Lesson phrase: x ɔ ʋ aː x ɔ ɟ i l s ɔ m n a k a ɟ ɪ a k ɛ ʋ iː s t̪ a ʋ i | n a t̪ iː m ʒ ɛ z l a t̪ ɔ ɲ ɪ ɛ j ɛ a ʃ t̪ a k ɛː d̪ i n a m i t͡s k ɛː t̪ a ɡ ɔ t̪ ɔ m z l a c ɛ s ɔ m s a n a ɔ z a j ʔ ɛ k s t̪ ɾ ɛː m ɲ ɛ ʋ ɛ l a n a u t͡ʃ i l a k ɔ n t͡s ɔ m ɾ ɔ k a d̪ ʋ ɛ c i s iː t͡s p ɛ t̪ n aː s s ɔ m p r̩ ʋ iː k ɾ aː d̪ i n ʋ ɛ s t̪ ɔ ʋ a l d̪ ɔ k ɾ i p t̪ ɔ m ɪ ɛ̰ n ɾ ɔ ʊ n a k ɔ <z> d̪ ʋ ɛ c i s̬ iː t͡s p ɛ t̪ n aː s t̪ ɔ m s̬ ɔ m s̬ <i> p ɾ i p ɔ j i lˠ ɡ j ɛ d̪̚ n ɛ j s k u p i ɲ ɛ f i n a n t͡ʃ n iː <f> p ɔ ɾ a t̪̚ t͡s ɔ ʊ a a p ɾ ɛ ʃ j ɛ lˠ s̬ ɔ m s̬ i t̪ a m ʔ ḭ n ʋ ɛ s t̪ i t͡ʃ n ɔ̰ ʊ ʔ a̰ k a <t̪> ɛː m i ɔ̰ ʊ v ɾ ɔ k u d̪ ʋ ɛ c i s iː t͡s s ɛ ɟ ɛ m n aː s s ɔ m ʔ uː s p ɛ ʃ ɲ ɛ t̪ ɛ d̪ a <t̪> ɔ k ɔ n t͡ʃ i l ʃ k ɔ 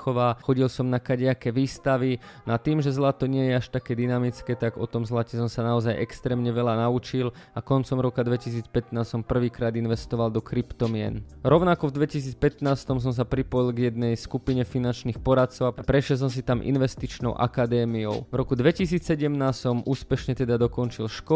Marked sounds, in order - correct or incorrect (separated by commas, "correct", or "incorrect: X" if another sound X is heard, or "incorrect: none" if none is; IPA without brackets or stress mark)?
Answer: incorrect: v, incorrect: a, incorrect: x, incorrect: d̪, incorrect: d̪